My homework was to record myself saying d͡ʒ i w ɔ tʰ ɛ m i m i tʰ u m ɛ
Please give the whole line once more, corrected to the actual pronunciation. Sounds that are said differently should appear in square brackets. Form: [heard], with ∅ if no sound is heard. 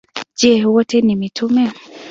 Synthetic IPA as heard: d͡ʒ [ɛ] w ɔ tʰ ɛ [n] i m i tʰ u m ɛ